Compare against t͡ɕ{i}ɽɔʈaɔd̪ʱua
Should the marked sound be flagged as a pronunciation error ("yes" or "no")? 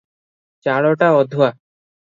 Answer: yes